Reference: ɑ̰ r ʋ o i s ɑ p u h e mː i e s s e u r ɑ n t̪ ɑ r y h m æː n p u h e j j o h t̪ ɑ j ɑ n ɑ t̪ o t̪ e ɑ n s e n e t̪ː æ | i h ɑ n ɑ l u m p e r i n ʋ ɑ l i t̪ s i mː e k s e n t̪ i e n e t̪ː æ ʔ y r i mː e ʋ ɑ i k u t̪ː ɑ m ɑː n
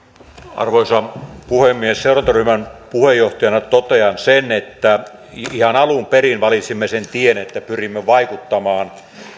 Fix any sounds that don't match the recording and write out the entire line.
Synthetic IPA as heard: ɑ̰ r ʋ o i s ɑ p u h e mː i e s s e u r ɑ n t̪ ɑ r y h m æ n p u h e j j o h t̪ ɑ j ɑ n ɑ t̪ o t̪ e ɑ n s e n e t̪ː æ | i h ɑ n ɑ l u m p e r i n ʋ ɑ l i t̪ s i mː e s e n t̪ i e n e t̪ː æ p y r i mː e ʋ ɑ i k u t̪ː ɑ m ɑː n